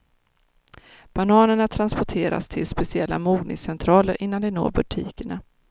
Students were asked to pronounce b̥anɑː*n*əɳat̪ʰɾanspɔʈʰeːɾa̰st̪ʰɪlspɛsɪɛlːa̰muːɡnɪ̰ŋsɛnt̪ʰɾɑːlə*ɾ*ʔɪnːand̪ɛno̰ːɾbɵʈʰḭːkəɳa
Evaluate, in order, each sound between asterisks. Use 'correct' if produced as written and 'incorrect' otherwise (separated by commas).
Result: correct, correct